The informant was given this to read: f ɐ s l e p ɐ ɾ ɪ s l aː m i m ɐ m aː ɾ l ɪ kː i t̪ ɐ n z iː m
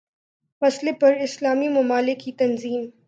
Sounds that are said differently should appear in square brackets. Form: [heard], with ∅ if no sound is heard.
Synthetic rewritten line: f ɐ s l e p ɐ ɾ ɪ s l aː m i m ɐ m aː [∅] l ɪ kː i t̪ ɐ n z iː m

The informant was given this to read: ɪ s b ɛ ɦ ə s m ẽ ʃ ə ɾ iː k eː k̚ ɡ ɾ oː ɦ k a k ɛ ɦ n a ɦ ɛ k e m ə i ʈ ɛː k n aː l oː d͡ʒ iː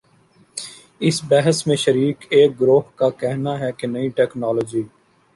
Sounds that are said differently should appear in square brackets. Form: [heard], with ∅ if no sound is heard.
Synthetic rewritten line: ɪ s b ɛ ɦ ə s m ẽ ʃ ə ɾ iː k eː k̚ ɡ ɾ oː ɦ k a k ɛ ɦ n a ɦ ɛ k e [n] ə i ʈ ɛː k n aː l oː d͡ʒ iː

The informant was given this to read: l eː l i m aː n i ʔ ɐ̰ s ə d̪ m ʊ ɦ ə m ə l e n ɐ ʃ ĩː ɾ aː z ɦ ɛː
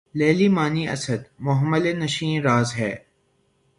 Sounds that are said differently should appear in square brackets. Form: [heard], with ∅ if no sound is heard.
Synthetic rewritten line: l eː l i m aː n i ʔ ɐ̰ s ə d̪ m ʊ ɦ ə m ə l e n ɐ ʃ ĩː ɾ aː z ɦ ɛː

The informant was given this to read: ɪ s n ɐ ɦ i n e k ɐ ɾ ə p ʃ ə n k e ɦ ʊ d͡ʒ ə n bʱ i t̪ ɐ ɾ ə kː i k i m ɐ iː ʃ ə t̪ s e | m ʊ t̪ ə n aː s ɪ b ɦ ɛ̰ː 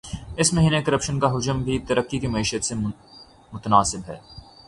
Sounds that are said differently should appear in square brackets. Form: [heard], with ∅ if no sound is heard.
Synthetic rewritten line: ɪ s [m] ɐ ɦ [iː] n e k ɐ ɾ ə p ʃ ə n k [a] ɦ ʊ d͡ʒ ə [m] bʱ i t̪ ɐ ɾ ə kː i k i m ɐ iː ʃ ə t̪ s e | m ʊ t̪ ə n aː s ɪ b ɦ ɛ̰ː

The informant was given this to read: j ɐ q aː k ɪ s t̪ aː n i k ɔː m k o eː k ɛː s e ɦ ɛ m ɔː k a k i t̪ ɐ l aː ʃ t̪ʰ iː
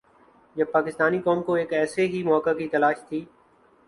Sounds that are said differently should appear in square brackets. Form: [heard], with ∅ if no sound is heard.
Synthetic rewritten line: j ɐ [p] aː k ɪ s t̪ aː n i k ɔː m k o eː k ɛː s e ɦ [i] m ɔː k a k i t̪ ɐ l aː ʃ t̪ʰ iː

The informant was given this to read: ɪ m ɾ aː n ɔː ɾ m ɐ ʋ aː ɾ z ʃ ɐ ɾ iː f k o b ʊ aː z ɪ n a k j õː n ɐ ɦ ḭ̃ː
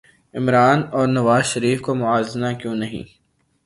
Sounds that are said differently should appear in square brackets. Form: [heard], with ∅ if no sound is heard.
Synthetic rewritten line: ɪ m ɾ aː n ɔː ɾ [n] ɐ ʋ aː [∅] z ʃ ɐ ɾ iː f k o [m] ʊ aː z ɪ n a k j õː n ɐ ɦ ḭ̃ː

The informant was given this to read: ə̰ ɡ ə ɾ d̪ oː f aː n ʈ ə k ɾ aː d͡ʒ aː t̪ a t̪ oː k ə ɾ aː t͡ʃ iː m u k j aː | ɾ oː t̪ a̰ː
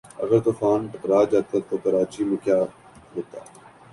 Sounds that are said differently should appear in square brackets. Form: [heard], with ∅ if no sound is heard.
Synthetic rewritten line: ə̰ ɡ ə ɾ [t̪] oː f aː n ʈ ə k ɾ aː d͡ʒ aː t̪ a t̪ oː k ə ɾ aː t͡ʃ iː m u k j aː | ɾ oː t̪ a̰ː

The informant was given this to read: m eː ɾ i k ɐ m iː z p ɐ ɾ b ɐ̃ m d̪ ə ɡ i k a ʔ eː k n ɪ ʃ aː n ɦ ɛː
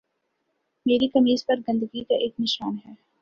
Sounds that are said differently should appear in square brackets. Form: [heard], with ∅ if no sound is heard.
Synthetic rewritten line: m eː ɾ i k ɐ m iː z p ɐ ɾ [ɡ] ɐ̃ [n] d̪ ə ɡ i k a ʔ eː k n ɪ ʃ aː n ɦ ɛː

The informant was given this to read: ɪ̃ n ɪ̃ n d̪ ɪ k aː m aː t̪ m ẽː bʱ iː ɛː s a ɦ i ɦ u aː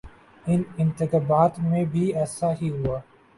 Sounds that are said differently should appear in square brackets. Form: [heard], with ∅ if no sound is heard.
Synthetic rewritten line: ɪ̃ n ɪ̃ n [t̪] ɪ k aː [b] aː t̪ m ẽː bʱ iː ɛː s a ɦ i ɦ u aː

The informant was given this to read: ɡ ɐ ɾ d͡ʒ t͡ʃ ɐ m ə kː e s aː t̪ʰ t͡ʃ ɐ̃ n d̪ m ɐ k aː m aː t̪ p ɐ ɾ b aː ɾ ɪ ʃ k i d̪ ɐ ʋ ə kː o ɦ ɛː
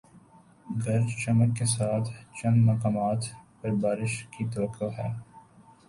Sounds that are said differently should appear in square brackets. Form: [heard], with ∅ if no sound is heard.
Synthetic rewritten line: ɡ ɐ ɾ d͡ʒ t͡ʃ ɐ m ə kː e s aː t̪ʰ t͡ʃ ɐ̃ n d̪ m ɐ k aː m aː t̪ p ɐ ɾ b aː ɾ ɪ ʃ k i [t̪] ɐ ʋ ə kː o ɦ ɛː

